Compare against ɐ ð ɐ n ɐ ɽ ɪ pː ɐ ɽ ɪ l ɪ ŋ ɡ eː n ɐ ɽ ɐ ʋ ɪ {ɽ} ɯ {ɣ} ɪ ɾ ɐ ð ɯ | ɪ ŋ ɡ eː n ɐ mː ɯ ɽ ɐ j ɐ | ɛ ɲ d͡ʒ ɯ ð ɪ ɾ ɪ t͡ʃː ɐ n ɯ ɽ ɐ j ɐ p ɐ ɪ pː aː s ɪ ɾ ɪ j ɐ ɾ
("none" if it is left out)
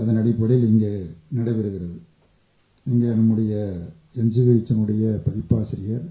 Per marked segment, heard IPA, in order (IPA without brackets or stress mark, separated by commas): ɾ, ɣ